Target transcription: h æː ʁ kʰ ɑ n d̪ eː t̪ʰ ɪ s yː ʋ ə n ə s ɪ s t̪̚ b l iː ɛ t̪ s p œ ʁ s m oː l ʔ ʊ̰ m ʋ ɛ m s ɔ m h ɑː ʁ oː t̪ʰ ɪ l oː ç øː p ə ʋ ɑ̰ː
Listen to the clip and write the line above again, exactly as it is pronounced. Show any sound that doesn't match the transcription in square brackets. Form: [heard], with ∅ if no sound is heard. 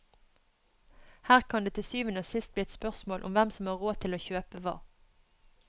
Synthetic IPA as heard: h æː ʁ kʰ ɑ n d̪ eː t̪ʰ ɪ s yː ʋ ə n ə s ɪ s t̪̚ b l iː ɛ t̪ s p œ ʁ s m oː l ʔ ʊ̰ m ʋ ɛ m s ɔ m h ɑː ʁ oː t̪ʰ ɪ l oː ç øː p ə ʋ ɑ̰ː